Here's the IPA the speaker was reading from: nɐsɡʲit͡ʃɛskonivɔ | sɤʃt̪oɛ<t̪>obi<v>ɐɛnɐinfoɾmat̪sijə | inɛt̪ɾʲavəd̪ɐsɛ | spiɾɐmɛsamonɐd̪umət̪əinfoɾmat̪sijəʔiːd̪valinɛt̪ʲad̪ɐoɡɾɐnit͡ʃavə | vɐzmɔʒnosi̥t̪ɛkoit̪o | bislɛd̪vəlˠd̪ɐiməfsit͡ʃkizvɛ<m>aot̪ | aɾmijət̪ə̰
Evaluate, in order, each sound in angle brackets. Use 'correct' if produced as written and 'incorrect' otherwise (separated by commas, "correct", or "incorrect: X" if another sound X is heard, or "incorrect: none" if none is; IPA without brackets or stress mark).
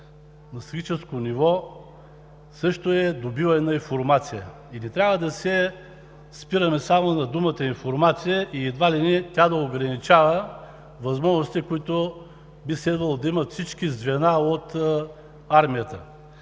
incorrect: d̪, correct, incorrect: n